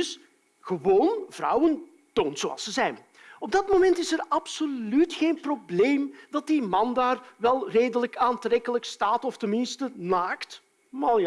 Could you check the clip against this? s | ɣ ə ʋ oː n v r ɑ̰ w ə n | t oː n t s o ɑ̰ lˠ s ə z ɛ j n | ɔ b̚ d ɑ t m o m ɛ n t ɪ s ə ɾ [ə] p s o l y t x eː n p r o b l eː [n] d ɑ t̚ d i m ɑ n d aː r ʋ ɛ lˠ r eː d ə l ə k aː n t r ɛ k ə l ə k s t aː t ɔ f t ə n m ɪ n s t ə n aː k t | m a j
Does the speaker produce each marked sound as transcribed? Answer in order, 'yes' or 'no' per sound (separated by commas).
no, no